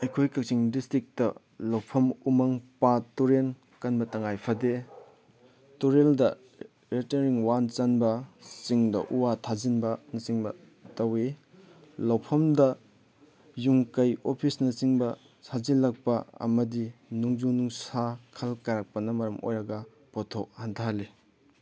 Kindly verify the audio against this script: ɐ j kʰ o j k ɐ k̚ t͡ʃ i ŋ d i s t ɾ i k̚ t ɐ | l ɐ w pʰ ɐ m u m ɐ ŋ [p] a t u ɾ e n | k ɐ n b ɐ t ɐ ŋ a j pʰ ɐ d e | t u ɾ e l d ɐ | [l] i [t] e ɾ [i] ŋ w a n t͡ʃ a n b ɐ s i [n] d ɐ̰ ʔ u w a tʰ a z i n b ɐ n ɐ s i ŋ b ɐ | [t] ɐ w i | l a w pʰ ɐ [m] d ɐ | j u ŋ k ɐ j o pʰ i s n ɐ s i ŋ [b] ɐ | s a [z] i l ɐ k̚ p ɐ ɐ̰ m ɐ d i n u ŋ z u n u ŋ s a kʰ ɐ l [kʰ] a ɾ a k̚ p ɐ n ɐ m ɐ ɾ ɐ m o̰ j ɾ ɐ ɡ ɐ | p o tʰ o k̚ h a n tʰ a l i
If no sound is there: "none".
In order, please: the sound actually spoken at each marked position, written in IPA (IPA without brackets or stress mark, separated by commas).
p, ɾ, t, i, ŋ, t, m, b, z, k